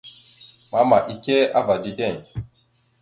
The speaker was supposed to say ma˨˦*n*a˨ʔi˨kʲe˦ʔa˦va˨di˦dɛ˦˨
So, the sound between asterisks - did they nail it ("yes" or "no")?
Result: no